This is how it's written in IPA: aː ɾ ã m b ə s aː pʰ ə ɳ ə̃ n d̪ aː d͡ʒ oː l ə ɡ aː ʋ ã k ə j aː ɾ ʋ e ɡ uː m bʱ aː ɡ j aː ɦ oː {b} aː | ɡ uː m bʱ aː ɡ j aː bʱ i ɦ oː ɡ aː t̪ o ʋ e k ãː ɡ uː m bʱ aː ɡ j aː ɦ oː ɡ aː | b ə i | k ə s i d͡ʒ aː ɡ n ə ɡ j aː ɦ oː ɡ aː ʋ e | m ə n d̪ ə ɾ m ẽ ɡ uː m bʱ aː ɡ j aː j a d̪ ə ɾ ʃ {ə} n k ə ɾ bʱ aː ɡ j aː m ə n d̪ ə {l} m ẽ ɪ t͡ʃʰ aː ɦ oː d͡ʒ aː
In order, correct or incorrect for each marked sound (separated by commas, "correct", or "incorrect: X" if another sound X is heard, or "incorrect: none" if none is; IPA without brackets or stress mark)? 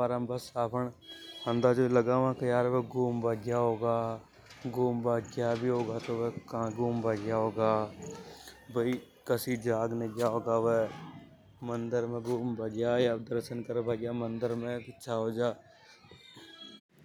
incorrect: ɡ, correct, incorrect: ɾ